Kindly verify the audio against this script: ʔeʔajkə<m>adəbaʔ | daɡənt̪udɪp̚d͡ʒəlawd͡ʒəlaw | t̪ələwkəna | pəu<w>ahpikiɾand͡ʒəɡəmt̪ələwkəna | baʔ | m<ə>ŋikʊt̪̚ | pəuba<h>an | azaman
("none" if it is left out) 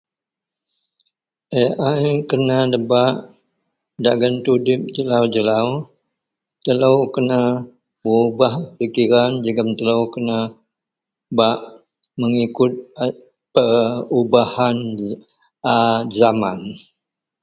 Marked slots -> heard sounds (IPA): n, b, ə, h

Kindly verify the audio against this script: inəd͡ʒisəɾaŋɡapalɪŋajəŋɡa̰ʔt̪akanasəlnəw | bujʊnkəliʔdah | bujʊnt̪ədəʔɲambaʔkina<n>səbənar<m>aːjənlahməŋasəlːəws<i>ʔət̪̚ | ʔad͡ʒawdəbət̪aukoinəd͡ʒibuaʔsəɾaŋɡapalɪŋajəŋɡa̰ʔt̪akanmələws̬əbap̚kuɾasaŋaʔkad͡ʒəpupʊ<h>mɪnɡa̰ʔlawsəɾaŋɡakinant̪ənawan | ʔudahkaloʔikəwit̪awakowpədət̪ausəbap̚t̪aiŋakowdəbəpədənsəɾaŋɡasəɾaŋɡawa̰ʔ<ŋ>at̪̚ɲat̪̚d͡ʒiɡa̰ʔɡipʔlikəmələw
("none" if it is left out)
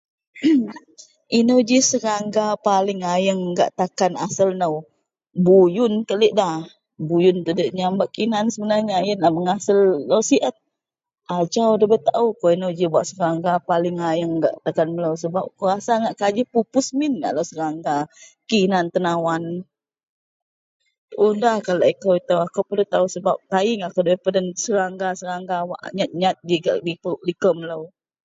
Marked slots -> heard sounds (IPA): n, ɲ, i, s, ɲ

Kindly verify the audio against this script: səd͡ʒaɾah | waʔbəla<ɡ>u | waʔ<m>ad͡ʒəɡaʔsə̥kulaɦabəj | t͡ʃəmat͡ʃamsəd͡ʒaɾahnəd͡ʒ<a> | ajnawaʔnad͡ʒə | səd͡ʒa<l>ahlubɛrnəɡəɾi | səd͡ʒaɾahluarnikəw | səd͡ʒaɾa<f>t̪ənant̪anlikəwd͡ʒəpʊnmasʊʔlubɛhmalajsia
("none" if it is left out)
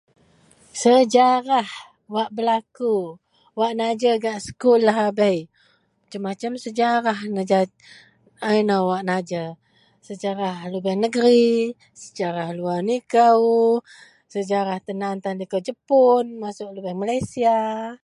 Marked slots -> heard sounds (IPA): k, n, a, ɾ, h

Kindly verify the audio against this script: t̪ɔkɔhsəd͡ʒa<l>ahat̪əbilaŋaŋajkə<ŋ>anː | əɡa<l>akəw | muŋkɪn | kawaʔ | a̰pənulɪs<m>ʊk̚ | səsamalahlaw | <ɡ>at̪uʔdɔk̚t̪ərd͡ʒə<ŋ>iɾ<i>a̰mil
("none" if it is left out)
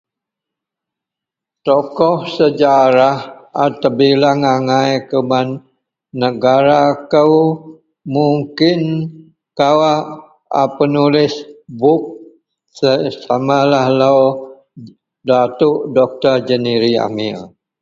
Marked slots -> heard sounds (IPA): ɾ, m, ɾ, b, d, n, i

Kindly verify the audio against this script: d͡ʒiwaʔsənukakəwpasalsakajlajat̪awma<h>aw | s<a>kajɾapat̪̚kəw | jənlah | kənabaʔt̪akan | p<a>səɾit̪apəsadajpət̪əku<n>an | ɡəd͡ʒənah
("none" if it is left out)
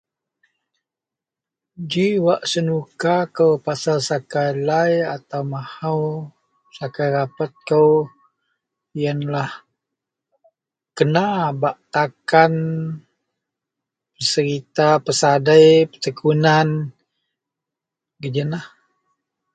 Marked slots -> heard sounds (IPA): h, a, ə, n

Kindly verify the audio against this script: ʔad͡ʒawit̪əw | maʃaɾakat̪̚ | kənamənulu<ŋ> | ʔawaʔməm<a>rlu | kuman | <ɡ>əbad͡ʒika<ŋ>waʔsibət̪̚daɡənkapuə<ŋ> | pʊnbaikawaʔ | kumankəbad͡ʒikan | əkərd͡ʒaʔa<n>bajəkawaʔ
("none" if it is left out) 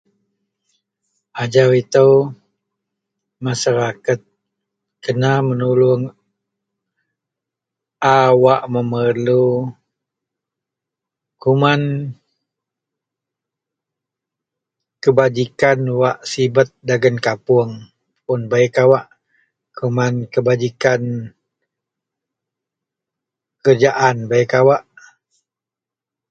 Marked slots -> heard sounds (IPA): ŋ, ə, k, n, ŋ, n

